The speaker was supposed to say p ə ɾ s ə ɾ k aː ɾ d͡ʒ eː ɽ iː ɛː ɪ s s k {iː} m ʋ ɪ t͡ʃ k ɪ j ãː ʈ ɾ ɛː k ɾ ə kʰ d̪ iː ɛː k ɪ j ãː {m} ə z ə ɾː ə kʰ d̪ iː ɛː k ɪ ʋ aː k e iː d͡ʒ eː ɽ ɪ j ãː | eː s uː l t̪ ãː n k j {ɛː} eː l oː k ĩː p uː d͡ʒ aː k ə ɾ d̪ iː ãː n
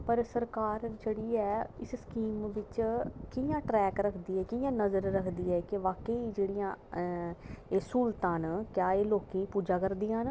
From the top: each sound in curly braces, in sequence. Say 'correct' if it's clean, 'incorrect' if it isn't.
correct, incorrect: n, incorrect: aː

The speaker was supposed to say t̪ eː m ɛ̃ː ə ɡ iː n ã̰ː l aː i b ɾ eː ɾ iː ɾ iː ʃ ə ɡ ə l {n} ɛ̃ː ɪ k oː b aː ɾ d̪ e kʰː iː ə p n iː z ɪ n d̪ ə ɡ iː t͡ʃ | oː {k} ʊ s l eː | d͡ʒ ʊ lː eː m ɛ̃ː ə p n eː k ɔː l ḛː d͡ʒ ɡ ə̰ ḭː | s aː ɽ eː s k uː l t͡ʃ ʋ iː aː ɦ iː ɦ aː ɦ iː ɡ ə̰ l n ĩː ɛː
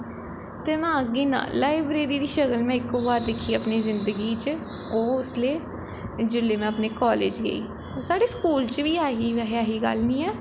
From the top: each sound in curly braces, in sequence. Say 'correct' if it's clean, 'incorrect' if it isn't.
incorrect: m, incorrect: none

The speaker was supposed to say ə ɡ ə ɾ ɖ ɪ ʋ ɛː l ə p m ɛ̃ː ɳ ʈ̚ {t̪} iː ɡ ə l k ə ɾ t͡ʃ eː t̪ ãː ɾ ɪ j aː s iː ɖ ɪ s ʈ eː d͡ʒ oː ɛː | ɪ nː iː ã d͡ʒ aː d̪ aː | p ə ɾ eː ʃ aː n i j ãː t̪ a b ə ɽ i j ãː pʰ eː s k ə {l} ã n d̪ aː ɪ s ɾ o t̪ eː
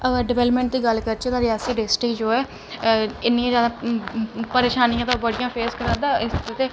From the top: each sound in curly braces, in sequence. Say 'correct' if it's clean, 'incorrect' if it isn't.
incorrect: d̪, incorrect: ɾ

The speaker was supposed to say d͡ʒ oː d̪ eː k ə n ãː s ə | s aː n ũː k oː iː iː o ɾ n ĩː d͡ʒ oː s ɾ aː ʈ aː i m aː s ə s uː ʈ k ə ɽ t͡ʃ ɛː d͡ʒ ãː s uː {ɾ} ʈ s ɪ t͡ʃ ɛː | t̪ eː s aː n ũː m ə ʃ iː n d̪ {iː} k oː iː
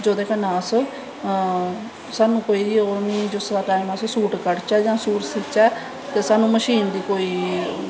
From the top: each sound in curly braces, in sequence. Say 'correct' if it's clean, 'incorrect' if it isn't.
incorrect: none, correct

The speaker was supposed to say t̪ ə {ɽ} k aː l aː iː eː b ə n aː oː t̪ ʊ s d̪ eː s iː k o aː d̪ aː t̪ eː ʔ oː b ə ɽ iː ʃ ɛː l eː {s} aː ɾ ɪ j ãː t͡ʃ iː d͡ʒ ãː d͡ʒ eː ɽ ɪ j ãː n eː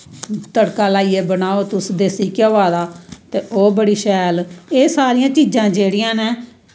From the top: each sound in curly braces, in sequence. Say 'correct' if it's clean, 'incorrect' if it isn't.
correct, correct

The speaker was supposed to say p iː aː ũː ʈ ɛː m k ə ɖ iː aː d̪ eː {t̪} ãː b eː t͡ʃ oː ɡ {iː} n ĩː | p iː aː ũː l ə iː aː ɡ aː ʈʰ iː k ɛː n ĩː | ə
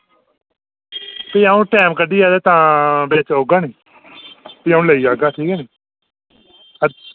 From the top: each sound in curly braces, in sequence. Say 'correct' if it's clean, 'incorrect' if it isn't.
correct, incorrect: aː

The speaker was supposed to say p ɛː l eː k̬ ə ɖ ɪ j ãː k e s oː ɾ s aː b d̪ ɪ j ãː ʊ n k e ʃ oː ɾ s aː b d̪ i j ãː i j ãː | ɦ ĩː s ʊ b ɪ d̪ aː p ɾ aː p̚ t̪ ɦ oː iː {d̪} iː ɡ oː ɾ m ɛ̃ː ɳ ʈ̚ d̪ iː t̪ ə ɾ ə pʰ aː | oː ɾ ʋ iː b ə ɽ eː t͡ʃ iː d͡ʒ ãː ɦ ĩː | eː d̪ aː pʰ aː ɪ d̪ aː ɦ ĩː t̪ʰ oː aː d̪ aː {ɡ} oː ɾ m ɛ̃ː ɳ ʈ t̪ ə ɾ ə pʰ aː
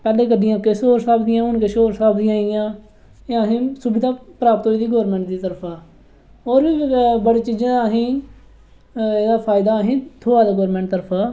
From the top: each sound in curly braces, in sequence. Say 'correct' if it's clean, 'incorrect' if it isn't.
correct, correct

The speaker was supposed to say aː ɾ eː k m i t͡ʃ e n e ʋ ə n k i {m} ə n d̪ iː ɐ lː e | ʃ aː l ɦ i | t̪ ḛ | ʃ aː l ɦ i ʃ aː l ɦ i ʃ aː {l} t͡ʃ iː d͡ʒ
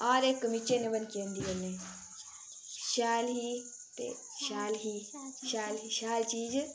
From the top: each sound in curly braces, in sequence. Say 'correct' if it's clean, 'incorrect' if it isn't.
incorrect: none, correct

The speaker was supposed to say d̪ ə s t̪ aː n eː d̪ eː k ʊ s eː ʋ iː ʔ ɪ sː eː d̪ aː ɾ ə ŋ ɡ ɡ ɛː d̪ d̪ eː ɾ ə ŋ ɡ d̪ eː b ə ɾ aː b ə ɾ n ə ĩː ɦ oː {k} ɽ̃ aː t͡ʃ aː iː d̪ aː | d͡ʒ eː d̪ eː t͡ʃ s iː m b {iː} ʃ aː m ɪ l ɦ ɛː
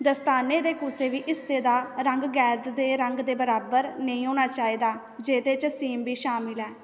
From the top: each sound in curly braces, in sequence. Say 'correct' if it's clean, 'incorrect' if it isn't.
incorrect: none, correct

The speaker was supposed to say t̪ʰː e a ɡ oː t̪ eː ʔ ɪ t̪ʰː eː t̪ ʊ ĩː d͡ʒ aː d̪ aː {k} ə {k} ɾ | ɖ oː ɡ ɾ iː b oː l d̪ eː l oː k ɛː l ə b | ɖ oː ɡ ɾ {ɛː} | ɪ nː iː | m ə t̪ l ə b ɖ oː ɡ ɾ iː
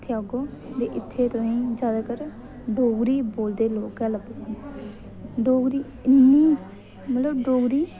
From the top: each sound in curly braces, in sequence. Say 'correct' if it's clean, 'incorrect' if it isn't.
correct, incorrect: none, incorrect: iː

